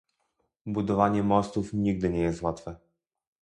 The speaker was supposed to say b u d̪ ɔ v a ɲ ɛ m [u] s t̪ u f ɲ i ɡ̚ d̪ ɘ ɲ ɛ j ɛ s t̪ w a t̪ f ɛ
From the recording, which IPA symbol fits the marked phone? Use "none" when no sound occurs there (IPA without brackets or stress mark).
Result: ɔ